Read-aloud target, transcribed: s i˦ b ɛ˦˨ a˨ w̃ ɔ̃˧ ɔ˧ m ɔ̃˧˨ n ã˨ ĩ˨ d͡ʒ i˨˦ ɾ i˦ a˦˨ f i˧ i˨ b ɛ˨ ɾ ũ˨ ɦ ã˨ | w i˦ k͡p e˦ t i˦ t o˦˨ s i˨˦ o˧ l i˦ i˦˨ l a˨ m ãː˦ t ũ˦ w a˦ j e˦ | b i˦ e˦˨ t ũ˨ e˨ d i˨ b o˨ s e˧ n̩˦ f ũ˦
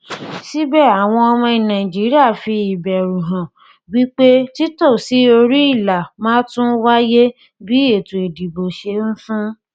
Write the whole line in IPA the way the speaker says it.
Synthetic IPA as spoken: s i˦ b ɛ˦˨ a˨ w̃ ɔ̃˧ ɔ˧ m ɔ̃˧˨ n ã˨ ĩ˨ d͡ʒ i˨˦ ɾ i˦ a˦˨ f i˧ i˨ b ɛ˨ ɾ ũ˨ ɦ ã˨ | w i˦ k͡p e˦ t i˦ t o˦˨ s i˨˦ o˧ ɾ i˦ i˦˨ l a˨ m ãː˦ t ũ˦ w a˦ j e˦ | b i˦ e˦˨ t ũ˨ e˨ d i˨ b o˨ ʃ e˧ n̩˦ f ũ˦